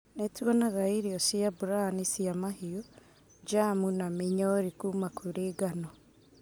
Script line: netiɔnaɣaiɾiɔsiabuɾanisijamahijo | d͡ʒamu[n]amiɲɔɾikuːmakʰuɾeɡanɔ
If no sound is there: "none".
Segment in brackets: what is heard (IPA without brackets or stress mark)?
n